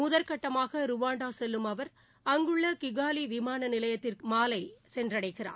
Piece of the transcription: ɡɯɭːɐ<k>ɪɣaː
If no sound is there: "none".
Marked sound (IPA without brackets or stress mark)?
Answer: k